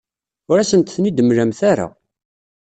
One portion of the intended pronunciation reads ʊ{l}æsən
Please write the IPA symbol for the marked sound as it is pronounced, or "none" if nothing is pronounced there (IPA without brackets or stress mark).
ɾ